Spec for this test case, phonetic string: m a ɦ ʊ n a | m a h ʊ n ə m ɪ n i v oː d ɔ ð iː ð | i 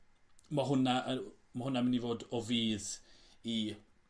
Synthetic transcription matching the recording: m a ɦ ʊ n a | m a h ʊ n a m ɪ n i v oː d ɔ v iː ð | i